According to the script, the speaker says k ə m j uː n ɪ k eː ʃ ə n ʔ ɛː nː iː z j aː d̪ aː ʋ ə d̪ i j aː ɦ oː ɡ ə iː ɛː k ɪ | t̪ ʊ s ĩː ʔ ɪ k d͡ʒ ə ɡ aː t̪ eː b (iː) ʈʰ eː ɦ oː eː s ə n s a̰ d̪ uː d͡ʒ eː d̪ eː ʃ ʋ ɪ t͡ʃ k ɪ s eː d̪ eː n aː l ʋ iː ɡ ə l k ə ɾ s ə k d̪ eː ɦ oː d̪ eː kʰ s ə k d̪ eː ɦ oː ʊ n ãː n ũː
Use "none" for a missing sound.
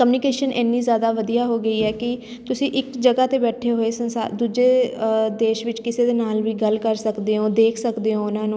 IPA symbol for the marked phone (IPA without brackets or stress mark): ɛː